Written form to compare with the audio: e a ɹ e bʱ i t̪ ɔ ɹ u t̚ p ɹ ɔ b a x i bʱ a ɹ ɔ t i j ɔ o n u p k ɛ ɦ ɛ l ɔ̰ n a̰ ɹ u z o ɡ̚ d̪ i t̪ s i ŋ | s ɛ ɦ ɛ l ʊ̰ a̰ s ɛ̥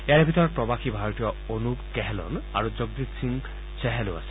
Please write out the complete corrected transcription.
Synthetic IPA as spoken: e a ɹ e bʱ i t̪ ɔ ɹ ɔ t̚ p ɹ ɔ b a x i bʱ a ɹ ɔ t i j ɔ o n u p k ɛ ɦ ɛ l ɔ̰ n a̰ ɹ u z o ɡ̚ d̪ i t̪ s i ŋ | s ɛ ɦ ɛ l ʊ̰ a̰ s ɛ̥